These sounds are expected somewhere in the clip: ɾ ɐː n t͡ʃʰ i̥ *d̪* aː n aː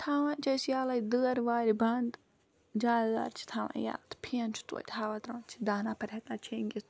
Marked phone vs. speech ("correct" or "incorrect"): correct